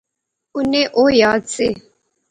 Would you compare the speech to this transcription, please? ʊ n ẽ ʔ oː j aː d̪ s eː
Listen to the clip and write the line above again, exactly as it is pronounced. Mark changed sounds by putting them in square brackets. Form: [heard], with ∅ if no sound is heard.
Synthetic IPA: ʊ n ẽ ʔ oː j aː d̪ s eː